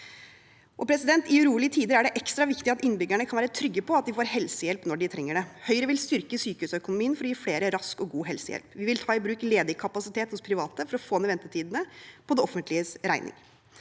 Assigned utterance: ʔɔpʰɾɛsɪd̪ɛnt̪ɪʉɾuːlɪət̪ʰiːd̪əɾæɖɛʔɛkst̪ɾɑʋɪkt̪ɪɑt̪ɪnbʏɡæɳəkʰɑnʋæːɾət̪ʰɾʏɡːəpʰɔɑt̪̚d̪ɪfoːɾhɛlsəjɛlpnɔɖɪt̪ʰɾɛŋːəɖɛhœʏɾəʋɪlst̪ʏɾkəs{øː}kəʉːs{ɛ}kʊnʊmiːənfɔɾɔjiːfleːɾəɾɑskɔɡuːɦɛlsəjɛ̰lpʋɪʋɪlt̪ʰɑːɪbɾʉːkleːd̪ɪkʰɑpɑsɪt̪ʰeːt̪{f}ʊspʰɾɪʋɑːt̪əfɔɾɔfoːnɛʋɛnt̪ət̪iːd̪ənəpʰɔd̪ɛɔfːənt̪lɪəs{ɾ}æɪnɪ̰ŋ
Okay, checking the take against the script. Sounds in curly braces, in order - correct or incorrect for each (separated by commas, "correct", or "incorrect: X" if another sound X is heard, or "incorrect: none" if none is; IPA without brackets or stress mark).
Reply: incorrect: yː, incorrect: œ, incorrect: h, correct